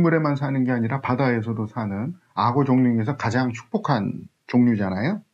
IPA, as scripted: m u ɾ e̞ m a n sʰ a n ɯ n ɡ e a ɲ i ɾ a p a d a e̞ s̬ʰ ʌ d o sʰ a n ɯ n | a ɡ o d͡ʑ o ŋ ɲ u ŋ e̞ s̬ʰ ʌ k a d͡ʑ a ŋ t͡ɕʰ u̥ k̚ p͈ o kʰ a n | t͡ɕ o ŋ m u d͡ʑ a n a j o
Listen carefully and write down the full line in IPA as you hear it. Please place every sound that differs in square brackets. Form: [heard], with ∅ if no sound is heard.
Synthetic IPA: m u ɾ e̞ m a n sʰ a n ɯ n ɡ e a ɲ i ɾ a p a d a e̞ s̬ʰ ʌ d o sʰ a n ɯ n | a ɡ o d͡ʑ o ŋ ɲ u ŋ e̞ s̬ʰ ʌ k a d͡ʑ a ŋ t͡ɕʰ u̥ k̚ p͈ o kʰ a n | t͡ɕ o ŋ [ɲ] u d͡ʑ a n a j o